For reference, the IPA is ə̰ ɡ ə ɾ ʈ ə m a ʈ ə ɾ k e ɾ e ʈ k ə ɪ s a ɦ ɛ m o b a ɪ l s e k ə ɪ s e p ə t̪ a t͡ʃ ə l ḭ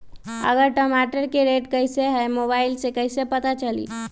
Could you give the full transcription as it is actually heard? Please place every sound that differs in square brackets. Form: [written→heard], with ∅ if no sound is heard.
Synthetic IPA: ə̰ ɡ ə ɾ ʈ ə m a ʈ ə ɾ k e ɾ e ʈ k ə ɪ s [a→e] ɦ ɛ m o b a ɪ l s e k ə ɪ s e p ə t̪ a t͡ʃ ə l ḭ